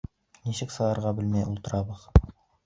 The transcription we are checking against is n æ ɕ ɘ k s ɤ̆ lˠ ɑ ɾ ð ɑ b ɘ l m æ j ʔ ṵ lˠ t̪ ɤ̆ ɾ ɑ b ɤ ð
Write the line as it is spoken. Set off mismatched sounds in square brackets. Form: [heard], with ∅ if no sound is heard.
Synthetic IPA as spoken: n [i] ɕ ɘ k s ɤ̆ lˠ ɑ ɾ [ʁ] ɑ b ɘ l m æ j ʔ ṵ lˠ t̪ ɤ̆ ɾ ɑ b ɤ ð